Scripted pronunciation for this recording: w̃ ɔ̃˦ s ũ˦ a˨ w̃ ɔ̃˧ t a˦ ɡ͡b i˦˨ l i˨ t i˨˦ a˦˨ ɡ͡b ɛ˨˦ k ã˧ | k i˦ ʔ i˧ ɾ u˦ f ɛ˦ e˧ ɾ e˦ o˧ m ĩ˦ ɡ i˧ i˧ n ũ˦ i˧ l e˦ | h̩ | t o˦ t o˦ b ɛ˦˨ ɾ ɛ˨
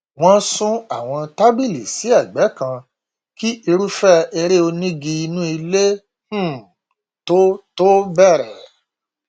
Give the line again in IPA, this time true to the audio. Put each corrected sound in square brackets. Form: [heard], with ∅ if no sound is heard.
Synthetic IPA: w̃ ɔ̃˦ s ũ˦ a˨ w̃ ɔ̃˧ t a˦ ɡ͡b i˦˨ l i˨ [s] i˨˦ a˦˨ ɡ͡b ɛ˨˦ k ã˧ | k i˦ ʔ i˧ ɾ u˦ f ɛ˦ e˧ ɾ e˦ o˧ [n] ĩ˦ ɡ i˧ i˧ n ũ˦ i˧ l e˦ | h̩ | t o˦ t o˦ b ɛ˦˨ ɾ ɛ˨